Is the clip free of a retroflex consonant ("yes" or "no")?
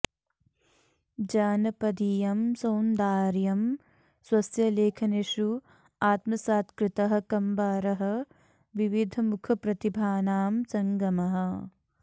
yes